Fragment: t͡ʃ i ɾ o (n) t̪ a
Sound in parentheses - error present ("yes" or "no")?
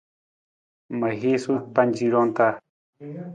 no